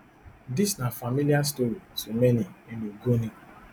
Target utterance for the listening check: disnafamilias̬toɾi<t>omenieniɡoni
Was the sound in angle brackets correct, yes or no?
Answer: no